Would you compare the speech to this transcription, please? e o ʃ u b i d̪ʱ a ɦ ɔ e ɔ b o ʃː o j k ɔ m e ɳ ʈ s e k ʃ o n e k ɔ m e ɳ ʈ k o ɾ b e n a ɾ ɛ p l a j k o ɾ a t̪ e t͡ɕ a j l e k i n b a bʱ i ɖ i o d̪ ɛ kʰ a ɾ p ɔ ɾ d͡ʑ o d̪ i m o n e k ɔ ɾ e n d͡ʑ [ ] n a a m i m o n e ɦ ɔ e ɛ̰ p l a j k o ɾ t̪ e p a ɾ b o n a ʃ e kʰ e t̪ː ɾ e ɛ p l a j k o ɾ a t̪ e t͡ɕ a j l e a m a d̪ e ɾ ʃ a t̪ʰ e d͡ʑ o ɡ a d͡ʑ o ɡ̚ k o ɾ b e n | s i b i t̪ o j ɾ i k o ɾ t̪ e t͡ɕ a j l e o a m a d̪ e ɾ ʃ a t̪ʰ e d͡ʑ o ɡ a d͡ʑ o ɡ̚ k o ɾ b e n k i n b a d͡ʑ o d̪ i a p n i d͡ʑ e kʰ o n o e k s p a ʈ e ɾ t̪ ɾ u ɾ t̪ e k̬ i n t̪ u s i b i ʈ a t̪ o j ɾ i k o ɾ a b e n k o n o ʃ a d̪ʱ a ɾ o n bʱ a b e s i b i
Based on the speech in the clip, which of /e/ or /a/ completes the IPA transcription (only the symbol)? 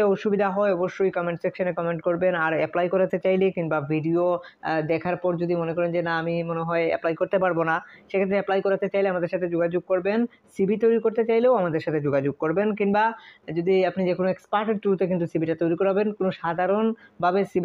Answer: e